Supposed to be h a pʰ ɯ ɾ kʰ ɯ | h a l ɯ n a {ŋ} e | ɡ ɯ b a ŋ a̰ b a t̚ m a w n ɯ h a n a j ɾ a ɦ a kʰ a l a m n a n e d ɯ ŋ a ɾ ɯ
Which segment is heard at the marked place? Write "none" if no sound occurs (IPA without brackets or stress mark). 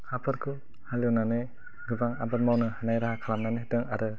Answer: n